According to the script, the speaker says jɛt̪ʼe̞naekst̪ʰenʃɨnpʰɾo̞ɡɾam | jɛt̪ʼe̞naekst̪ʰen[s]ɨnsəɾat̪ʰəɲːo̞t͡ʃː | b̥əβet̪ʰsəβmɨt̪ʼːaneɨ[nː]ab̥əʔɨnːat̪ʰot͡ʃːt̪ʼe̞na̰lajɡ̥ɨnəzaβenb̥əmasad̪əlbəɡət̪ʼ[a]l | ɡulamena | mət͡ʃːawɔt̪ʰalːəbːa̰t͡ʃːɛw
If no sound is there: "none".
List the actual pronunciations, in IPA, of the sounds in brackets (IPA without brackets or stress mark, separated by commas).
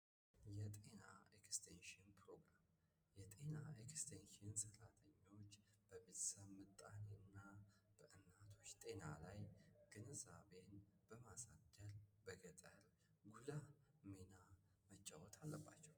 ʃ, nː, ə